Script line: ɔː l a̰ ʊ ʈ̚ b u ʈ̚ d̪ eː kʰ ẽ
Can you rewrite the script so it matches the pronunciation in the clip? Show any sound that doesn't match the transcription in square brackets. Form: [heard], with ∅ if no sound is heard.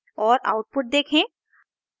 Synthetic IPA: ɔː [ɾ] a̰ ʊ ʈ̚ [p] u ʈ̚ d̪ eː kʰ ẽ